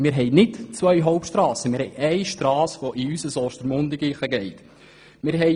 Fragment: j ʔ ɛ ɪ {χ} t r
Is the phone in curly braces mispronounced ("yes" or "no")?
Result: yes